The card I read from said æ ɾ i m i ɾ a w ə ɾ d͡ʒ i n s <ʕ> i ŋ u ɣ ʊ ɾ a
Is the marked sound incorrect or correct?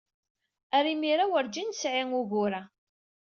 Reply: correct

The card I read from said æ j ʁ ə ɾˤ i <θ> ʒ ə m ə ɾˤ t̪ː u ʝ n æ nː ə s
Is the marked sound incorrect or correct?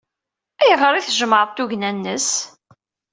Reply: correct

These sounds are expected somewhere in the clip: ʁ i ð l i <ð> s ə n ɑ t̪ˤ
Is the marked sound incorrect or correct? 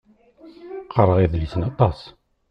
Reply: incorrect: none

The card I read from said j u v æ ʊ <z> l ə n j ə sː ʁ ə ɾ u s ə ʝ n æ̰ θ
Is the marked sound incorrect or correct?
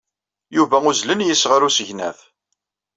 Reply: correct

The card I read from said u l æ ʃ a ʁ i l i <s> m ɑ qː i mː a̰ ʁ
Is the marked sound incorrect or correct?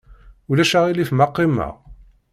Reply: incorrect: f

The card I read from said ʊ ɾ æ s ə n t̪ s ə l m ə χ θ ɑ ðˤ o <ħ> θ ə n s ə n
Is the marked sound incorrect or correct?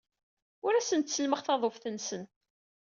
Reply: incorrect: f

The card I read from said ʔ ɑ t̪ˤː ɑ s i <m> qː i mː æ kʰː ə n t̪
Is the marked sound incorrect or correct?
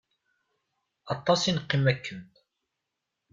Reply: incorrect: n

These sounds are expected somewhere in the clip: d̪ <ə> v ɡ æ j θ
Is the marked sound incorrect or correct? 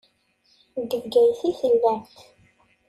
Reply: correct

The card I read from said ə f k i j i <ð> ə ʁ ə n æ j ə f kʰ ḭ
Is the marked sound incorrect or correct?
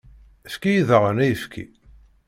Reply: correct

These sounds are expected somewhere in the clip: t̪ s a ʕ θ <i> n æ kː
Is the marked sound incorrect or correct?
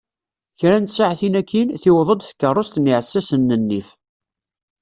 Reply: correct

